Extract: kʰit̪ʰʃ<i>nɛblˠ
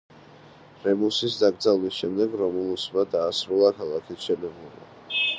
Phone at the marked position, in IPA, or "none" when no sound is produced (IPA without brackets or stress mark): ɛ